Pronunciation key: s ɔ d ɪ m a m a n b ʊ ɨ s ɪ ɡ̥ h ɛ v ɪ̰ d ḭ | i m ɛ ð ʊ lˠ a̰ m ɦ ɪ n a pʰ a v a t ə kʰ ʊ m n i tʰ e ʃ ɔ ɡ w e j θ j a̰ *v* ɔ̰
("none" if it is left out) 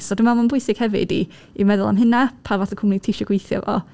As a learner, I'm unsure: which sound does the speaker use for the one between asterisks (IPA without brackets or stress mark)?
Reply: v